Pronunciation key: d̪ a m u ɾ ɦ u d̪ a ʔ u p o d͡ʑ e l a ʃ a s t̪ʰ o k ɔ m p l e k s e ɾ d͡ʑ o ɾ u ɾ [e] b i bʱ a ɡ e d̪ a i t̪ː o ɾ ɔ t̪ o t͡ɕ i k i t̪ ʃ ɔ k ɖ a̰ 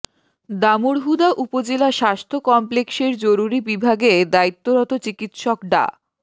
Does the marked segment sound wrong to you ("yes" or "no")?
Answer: yes